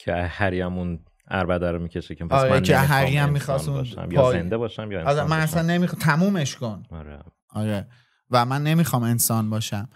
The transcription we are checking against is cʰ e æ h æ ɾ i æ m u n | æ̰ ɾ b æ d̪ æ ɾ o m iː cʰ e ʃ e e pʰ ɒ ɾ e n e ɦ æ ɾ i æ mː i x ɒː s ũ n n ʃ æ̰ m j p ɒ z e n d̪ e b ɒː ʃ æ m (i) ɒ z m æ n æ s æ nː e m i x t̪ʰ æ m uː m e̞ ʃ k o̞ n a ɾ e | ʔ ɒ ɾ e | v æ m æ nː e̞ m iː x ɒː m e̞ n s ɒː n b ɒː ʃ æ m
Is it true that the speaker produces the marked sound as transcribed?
no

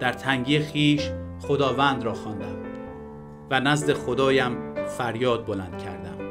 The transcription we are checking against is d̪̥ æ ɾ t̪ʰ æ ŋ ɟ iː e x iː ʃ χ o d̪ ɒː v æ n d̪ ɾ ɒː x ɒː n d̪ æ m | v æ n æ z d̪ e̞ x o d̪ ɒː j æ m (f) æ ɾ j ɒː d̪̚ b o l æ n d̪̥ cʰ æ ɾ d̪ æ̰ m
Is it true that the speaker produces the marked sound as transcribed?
yes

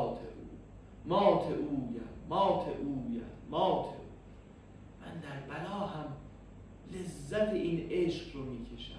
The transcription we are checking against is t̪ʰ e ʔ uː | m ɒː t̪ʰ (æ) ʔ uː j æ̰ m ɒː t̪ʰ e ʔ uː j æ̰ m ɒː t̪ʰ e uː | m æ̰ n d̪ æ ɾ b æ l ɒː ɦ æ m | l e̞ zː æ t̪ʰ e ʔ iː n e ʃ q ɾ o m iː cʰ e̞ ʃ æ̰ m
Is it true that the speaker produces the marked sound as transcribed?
no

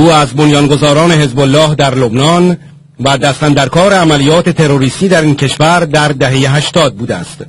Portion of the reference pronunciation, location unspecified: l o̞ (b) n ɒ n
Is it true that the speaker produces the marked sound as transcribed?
yes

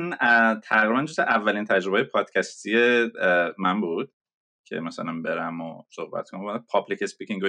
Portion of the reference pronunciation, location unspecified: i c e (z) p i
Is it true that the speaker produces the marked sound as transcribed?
no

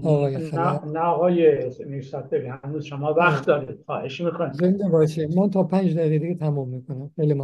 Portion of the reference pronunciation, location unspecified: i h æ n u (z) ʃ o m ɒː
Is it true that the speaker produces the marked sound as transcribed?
yes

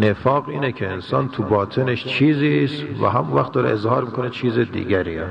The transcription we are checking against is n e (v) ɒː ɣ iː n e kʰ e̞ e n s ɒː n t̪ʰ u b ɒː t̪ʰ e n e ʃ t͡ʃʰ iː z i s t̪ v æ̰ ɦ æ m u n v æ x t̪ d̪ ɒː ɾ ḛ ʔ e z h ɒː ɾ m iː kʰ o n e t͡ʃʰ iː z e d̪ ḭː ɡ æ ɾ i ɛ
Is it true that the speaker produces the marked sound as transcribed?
no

